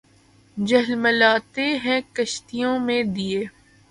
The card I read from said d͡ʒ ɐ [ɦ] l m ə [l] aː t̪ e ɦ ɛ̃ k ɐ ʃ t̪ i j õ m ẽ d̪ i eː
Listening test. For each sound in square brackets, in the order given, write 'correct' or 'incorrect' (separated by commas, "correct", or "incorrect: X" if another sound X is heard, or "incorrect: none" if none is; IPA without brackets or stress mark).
correct, correct